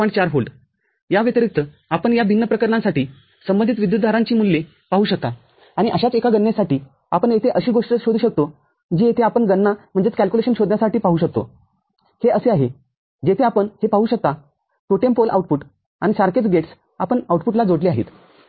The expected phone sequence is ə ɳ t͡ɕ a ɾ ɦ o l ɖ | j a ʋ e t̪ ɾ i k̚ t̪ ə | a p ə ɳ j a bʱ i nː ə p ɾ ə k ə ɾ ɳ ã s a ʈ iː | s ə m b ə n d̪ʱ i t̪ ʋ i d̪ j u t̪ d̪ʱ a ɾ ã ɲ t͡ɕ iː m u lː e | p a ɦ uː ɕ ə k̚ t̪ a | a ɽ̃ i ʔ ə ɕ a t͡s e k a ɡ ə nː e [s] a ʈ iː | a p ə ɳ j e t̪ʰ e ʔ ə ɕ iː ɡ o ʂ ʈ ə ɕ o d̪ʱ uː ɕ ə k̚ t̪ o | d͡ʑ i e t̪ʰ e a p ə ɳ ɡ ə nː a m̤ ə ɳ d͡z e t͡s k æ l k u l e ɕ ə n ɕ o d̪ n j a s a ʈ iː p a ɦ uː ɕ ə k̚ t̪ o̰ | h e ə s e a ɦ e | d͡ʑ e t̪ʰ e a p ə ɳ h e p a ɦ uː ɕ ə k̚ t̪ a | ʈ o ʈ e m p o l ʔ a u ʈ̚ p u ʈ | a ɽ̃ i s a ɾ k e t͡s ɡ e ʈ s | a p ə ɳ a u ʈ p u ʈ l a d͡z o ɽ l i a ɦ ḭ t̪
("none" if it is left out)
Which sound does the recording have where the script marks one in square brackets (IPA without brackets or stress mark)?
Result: s